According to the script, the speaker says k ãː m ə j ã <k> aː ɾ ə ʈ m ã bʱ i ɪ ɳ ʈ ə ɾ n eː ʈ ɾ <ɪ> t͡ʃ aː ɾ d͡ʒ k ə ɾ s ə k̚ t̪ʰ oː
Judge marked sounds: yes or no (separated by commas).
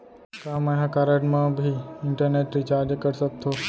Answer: yes, no